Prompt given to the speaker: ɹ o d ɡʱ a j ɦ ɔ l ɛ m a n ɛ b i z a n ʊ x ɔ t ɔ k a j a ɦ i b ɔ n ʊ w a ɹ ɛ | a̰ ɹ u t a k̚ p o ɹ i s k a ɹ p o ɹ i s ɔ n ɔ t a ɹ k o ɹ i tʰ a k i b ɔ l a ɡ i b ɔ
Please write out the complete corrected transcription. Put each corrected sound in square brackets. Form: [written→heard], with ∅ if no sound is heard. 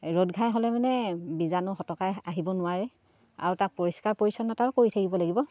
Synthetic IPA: ɹ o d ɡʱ a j ɦ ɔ l ɛ m a n ɛ b i z a n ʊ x ɔ t ɔ k a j a ɦ i b ɔ n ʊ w a ɹ ɛ | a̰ ɹ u t a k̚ p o ɹ i s k a ɹ p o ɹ i s ɔ n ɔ t a ɹ k o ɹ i tʰ a k i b ɔ l a ɡ i b ɔ